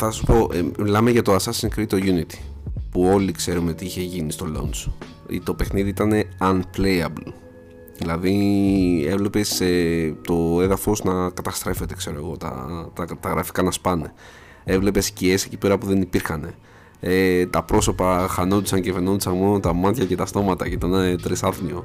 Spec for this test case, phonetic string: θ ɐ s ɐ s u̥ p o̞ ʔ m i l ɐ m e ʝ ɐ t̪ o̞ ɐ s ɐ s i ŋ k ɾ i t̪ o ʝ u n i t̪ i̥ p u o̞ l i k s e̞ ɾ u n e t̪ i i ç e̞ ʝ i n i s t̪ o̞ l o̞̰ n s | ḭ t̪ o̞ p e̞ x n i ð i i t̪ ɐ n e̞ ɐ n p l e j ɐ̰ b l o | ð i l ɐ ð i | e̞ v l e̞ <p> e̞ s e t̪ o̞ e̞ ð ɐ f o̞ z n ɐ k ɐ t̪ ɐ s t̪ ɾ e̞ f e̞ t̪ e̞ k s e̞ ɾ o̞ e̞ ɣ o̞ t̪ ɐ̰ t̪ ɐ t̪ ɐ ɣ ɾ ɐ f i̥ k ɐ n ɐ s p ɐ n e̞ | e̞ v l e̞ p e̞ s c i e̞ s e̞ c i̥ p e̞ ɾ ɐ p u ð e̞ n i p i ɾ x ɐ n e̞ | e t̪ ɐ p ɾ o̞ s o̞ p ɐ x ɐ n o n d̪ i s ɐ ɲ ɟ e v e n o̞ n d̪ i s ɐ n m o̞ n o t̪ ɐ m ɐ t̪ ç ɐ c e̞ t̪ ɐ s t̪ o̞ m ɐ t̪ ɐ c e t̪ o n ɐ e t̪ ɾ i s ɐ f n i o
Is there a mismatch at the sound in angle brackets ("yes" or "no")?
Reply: no